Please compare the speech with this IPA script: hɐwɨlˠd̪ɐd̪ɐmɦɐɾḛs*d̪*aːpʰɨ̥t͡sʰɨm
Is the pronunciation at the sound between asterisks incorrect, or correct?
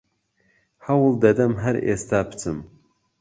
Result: incorrect